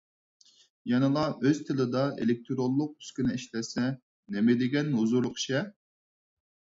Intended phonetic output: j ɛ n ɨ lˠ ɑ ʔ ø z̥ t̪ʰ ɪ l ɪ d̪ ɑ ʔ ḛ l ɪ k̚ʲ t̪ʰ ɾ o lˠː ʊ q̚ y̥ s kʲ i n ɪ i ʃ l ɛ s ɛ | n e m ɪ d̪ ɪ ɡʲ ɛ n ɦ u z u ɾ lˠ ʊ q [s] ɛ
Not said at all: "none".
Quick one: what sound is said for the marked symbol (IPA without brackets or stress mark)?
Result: ʃ